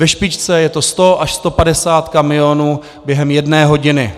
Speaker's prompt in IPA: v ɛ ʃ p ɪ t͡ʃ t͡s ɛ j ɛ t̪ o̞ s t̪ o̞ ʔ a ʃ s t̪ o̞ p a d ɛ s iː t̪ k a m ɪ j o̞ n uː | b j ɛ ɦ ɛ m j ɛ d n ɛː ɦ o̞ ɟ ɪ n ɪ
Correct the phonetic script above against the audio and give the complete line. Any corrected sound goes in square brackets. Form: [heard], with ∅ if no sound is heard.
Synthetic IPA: v ɛ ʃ p ɪ t͡ʃ t͡s ɛ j ɛ t̪ o̞ s t̪ o̞ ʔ a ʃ s t̪ o̞ p a d ɛ s [aː] t̪ k a m ɪ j o̞ n uː | b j ɛ ɦ ɛ m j ɛ d n ɛː ɦ o̞ ɟ ɪ n ɪ